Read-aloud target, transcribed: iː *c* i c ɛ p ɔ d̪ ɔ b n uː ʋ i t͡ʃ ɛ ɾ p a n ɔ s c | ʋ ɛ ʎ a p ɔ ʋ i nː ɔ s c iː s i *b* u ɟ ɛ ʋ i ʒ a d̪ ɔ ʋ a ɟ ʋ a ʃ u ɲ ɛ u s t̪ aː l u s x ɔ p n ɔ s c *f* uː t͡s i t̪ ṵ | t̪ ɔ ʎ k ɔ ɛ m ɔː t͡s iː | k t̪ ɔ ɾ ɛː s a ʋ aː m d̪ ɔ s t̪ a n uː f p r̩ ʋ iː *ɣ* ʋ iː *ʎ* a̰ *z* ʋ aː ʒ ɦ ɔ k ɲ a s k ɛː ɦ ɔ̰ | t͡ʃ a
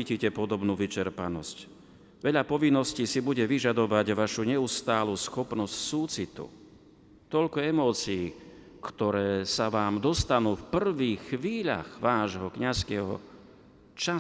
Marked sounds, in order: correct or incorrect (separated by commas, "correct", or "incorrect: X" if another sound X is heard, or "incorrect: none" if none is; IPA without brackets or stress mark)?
correct, correct, incorrect: s, incorrect: x, correct, incorrect: ɣ